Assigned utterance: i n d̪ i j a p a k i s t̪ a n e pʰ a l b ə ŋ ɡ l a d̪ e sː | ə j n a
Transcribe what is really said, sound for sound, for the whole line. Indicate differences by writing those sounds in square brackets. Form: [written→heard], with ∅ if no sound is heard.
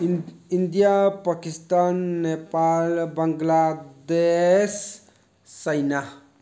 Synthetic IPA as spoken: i n d̪ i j a p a k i s t̪ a [n→nː] e [pʰ→p] a l b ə ŋ ɡ l a d̪ e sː | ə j n a